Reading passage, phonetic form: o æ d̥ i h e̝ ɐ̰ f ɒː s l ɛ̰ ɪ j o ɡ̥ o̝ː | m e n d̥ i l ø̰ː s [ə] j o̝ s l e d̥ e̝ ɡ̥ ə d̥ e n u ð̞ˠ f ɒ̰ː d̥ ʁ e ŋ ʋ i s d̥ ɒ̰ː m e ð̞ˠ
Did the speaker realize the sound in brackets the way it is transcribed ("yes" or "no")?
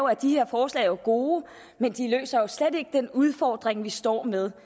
no